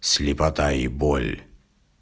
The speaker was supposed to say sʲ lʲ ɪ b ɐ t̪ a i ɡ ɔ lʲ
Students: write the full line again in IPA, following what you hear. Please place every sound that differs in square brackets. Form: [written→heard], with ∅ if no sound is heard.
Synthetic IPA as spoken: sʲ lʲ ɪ [b→p] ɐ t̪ a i [ɡ→b] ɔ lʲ